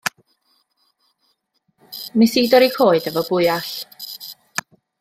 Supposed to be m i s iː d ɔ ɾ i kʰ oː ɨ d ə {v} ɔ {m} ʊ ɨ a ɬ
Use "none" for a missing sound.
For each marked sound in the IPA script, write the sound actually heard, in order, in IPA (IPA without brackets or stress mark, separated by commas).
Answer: v, b